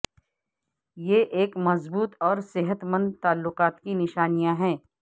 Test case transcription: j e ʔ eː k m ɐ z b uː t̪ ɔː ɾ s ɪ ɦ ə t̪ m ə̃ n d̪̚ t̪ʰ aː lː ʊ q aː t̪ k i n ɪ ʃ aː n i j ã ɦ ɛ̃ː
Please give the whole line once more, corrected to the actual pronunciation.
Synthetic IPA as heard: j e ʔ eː k m ɐ z b uː t̪ ɔː ɾ s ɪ ɦ ə t̪ m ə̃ n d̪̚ t̪ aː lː ʊ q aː t̪ k i n ɪ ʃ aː n i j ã ɦ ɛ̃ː